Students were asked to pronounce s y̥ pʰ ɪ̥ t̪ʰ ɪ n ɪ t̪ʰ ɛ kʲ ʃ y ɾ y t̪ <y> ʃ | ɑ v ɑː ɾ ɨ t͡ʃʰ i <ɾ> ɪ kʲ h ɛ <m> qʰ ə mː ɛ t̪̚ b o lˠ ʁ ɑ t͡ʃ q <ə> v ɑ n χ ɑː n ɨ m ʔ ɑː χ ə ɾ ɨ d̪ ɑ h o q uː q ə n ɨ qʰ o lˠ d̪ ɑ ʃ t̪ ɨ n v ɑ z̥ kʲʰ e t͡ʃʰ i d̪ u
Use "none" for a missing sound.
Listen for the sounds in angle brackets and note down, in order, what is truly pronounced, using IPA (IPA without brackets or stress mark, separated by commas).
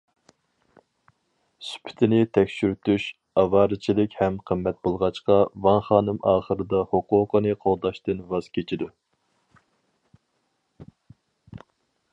y, l, m, ɑ